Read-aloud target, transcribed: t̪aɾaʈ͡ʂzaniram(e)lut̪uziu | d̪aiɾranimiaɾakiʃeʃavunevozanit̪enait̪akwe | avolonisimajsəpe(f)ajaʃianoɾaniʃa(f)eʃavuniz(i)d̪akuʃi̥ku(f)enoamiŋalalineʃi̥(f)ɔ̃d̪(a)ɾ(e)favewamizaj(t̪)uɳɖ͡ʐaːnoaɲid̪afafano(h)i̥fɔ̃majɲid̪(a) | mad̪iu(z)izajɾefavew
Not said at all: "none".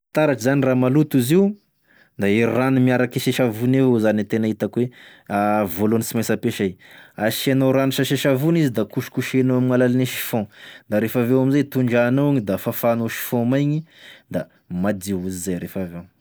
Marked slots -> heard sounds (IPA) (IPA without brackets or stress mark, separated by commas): a, ʃ, ʃ, i, ʃ, f, a, e, t̪, ʃ, a, z